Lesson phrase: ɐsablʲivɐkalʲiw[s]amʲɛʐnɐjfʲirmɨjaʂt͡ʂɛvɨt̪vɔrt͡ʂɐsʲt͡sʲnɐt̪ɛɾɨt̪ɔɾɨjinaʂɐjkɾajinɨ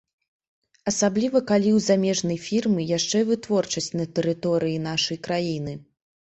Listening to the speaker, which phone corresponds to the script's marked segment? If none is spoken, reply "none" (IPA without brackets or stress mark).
z